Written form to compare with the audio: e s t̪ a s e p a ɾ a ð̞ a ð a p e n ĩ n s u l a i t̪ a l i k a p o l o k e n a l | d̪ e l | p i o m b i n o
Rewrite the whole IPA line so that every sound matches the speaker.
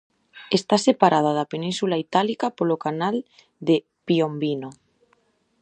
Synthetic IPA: e s t̪ a s e p a ɾ a ð̞ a ð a p e n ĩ n s u l a i t̪ a l i k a p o l o k a n a l | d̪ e | p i o m b i n o